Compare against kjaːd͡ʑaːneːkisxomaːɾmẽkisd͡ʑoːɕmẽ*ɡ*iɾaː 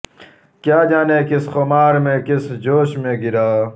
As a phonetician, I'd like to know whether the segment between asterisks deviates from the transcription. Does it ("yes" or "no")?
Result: no